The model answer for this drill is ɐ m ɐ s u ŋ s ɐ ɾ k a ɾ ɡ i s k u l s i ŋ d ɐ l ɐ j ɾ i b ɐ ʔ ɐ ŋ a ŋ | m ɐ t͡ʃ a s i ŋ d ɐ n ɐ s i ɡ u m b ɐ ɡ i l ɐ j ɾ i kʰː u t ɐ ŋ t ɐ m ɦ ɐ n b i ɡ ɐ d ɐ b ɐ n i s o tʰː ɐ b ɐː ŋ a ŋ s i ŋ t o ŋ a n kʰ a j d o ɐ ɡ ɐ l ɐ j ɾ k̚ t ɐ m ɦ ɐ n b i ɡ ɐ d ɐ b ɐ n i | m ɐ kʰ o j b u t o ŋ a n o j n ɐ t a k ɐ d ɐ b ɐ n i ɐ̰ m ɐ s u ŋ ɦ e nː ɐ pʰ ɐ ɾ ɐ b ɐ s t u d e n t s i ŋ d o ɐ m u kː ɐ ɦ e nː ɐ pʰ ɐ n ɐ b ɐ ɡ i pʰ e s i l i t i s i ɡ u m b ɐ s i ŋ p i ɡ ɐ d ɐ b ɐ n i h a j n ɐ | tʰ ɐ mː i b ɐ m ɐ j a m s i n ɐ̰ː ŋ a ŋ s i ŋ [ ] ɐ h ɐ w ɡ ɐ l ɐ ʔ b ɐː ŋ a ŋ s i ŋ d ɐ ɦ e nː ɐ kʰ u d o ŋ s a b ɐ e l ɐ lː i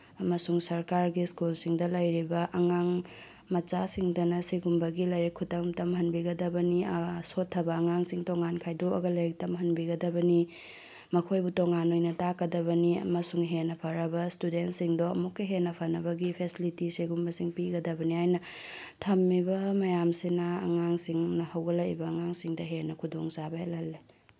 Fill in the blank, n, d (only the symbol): n